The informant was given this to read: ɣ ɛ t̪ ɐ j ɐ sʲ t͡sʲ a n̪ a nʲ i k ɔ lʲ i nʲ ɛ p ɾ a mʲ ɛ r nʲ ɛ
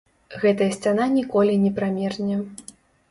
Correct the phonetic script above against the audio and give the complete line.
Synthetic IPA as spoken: ɣ ɛ t̪ ɐ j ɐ sʲ t͡sʲ a n̪ a nʲ i k ɔ lʲ i nʲ ɛ p ɾ a mʲ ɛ r nʲ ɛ

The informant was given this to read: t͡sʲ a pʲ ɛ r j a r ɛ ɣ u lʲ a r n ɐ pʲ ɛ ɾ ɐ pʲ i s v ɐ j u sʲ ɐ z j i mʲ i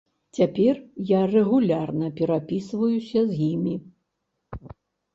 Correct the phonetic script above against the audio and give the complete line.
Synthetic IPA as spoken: t͡sʲ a pʲ ɛ r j a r ɛ ɣ u lʲ a r n ɐ pʲ ɛ ɾ a pʲ i s v ɐ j u sʲ ɐ z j i mʲ i

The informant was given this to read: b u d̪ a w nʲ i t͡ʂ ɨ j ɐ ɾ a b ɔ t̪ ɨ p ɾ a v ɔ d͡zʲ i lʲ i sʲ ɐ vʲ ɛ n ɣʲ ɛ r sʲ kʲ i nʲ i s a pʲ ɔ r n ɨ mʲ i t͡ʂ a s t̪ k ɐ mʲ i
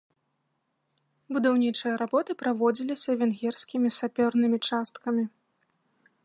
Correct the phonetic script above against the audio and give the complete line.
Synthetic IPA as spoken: b u d̪ a w nʲ i t͡ʂ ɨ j ɐ ɾ a b ɔ t̪ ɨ p ɾ a v ɔ d͡zʲ i lʲ i sʲ ɐ vʲ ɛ n ɣʲ ɛ r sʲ kʲ i mʲ i s a pʲ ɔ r n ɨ mʲ i t͡ʂ a s t̪ k ɐ mʲ i

